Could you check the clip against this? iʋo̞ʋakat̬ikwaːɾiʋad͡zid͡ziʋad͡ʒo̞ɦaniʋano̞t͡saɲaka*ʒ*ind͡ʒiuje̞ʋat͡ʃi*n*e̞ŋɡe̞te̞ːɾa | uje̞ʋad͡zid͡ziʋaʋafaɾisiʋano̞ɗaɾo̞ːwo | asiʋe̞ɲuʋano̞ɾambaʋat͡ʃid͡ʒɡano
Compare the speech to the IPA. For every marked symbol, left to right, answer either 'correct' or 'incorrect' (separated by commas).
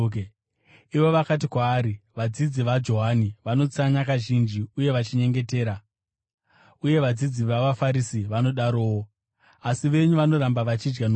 correct, incorrect